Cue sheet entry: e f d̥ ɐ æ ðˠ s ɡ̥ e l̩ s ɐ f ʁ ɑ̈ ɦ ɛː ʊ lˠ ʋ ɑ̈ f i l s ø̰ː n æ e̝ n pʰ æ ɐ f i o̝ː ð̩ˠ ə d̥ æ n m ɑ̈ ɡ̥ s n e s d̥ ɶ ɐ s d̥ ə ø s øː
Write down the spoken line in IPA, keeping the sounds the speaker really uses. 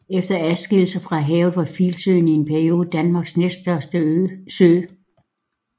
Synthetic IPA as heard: e f d̥ ɐ æ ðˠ s ɡ̥ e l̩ s ɐ f ʁ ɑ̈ ɦ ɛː ʊ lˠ ʋ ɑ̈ f i l s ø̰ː n i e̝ n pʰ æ ɐ i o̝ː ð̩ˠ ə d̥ æ n m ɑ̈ ɡ̥ s n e s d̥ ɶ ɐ s d̥ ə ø s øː

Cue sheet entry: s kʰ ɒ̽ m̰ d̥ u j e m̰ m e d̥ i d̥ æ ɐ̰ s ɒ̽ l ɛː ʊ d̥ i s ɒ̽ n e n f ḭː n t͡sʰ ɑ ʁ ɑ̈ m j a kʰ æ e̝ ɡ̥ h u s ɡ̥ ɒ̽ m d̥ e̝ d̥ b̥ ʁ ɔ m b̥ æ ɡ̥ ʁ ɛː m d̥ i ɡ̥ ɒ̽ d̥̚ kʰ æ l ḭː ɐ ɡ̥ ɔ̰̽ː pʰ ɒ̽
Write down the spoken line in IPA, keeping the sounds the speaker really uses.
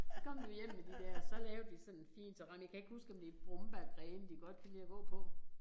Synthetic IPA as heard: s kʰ ɒ̽ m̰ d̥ u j e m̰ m e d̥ i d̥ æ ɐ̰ s ɒ̽ l ɛː ʊ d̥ i s ɒ̽ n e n f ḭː n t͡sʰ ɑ ʁ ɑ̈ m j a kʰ æ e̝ ɡ̥ h u s ɡ̥ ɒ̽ m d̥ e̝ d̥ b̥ ʁ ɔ m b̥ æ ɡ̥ ʁ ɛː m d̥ i ɡ̥ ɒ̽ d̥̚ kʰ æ l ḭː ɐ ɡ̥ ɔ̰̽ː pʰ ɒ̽

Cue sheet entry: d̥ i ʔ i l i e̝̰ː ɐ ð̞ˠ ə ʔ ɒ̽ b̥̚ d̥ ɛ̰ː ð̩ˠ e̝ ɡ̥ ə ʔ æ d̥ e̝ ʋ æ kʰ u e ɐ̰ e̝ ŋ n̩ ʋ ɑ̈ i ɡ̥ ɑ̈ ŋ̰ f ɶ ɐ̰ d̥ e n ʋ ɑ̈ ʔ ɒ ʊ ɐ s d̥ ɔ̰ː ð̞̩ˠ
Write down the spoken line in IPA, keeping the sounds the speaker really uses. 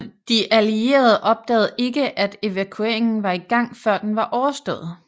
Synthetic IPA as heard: d̥ i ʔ æ l i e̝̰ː ɐ ð̞ˠ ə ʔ ɒ̽ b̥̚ d̥ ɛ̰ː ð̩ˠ e̝ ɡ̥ ə ʔ æ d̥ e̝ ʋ æ kʰ u e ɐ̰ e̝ ŋ n̩ ʋ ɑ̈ i ɡ̥ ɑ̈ ŋ̰ f ɶ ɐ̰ d̥ e n ʋ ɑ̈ ʔ ɒ ʊ ɐ s d̥ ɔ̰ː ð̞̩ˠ

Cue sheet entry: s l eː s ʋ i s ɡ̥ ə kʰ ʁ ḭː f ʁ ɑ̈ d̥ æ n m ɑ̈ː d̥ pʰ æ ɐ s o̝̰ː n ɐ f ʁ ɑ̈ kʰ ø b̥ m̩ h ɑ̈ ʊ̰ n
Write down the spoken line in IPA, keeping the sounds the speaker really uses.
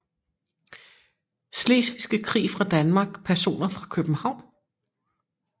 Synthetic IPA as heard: s l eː s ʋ i s ɡ̥ ə kʰ ʁ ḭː f ʁ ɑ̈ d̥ æ n m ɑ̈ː ɡ̥ pʰ æ ɐ s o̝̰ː n ɐ f ʁ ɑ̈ kʰ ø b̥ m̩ h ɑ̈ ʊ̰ n

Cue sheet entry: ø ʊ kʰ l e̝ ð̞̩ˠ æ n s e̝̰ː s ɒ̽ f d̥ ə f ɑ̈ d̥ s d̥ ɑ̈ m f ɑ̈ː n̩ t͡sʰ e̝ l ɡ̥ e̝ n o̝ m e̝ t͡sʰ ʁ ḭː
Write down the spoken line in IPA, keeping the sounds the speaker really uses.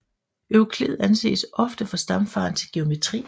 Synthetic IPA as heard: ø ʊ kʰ l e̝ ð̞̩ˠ æ n s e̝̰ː s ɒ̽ f d̥ ə f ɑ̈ s d̥ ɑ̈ m f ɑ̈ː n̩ t͡sʰ e̝ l ɡ̥ e̝ o̝ m e̝ t͡sʰ ʁ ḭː

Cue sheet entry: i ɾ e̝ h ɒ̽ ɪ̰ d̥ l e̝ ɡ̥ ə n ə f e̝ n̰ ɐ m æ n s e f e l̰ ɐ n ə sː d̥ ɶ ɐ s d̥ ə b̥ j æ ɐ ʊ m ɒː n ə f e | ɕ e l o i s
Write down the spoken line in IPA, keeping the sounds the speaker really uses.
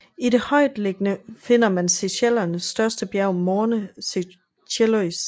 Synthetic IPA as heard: i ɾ e̝ h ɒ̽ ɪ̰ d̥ l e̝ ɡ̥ ə n ə f e̝ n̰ ɐ m æ n s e ɕ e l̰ ɐ n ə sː d̥ ɶ ɐ s d̥ ə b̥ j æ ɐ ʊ m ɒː n ə s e | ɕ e l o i s

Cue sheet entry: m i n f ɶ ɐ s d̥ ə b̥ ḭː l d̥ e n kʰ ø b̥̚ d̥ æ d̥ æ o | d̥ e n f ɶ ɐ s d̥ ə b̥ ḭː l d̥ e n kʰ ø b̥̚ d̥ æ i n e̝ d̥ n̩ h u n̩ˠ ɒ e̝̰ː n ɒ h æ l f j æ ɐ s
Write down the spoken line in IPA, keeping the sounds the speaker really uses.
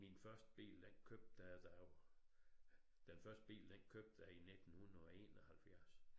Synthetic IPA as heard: m i n f ɶ ɐ s d̥ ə b̥ ḭː l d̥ e n kʰ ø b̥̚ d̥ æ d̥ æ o | d̥ e n f ɶ ɐ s d̥ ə b̥ ḭː l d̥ e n kʰ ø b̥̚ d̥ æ i n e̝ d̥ n̩ h u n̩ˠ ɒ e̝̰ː n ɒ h æ l f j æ ɐ s

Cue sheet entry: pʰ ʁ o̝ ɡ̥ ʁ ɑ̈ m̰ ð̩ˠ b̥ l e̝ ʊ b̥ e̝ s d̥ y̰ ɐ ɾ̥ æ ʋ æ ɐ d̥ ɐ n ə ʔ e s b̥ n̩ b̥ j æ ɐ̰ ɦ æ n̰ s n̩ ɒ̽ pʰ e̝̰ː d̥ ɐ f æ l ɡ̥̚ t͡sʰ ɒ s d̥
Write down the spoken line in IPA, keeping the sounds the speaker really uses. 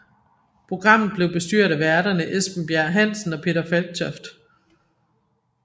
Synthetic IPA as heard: pʰ ʁ o̝ ɡ̥ ʁ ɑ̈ m̰ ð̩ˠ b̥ l e̝ ʊ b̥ e̝ s d̥ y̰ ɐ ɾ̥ æ ʋ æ ɐ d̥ ɐ n ə ʔ e s b̥ n̩ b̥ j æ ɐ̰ ɦ æ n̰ s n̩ ɒ̽ pʰ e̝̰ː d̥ ɐ f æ l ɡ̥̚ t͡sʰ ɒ f d̥

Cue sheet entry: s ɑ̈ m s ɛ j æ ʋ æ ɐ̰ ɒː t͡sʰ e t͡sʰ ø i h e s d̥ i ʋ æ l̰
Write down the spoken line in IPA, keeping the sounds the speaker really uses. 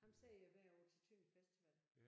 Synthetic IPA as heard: h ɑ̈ m s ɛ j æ ʋ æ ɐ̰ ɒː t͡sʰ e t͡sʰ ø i f e s d̥ i ʋ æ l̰

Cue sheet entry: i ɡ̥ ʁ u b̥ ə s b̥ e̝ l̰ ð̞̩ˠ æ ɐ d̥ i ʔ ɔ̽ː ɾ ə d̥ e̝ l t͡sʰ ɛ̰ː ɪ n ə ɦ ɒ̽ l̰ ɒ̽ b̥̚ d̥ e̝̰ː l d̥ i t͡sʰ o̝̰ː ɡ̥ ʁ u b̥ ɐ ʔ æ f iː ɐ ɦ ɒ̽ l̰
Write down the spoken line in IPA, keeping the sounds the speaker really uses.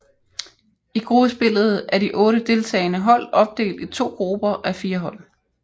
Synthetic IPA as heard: i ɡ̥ ʁ u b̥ ə s b̥ e̝ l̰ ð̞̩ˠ æ ɐ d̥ i ʔ ɔ̽ː ɾ ə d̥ e̝ l t͡sʰ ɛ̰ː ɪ n ə ɦ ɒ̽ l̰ ɒ̽ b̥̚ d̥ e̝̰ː l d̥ i t͡sʰ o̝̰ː ɡ̥ ʁ u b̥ ɐ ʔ æ f iː ɐ ɦ ɒ̽ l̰

